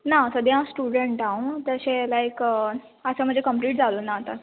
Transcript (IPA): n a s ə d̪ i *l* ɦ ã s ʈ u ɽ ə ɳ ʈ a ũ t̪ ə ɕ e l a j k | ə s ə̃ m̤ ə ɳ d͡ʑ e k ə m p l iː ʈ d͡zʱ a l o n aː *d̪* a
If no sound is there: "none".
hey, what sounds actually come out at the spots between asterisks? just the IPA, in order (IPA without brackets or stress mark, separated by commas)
none, t̪